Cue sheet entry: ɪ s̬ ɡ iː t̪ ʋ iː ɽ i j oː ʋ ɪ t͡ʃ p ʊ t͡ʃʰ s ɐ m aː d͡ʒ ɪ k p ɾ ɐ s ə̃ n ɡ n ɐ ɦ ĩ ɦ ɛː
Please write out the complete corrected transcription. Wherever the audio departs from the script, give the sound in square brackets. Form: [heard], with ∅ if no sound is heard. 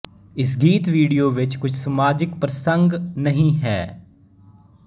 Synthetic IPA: ɪ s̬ ɡ iː t̪ ʋ iː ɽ i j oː ʋ ɪ t͡ʃ [k] ʊ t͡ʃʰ s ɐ m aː d͡ʒ ɪ k p ɾ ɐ s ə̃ [ŋ] ɡ n ɐ ɦ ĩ ɦ ɛː

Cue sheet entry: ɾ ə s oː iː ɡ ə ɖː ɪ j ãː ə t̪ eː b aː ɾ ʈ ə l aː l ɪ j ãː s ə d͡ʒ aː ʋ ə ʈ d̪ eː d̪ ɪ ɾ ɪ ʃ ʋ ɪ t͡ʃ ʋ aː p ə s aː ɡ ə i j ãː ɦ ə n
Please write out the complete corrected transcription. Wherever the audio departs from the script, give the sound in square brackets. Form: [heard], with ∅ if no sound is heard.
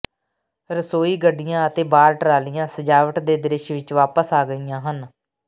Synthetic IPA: ɾ ə s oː iː ɡ ə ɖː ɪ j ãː ə t̪ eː b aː ɾ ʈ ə [ɾ] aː l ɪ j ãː s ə d͡ʒ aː ʋ ə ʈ d̪ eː d̪ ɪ ɾ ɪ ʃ ʋ ɪ t͡ʃ ʋ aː p ə s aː ɡ ə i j ãː ɦ ə n

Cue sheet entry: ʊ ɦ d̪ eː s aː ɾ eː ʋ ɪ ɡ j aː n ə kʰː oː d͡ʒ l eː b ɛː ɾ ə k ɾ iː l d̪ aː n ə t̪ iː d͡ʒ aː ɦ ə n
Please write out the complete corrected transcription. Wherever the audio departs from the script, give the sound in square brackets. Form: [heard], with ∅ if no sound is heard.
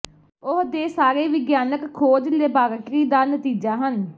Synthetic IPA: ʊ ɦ d̪ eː s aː ɾ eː ʋ ɪ ɡ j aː n ə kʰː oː d͡ʒ l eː b [aː] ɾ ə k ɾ iː [∅] d̪ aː n ə t̪ iː d͡ʒ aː ɦ ə n

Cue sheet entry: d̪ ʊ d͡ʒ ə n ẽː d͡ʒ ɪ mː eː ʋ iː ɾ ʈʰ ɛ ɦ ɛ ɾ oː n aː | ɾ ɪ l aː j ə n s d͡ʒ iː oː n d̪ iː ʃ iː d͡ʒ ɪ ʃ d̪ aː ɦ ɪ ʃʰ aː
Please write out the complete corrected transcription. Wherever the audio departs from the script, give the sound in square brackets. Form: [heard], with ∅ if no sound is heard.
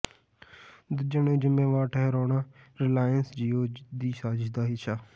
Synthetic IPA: d̪ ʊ d͡ʒ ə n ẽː d͡ʒ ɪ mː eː ʋ [aː] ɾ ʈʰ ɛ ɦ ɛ ɾ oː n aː | ɾ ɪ l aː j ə n s d͡ʒ iː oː [∅] d̪ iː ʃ [aː] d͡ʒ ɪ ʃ d̪ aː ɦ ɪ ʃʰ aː

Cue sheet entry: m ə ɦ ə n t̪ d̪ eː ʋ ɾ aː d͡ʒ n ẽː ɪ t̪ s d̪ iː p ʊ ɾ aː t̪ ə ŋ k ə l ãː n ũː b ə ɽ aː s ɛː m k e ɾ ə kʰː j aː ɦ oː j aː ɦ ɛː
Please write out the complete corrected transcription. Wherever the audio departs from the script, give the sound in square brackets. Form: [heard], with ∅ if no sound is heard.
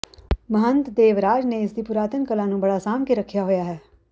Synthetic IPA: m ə ɦ ə n t̪ d̪ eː ʋ ɾ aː d͡ʒ n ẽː ɪ [∅] s d̪ iː p ʊ ɾ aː t̪ ə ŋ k ə l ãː n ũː b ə ɽ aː s [aː] m k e ɾ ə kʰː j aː ɦ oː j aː ɦ ɛː

